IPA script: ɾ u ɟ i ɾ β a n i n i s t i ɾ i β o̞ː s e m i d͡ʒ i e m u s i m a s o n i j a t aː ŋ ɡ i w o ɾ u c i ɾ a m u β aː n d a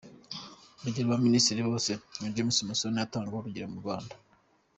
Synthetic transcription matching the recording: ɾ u ɟ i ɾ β a m i n i s t i ɾ i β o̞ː s e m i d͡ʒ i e m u s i m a s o n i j a t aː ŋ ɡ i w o ɾ u ɟ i ɾ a m u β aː n d a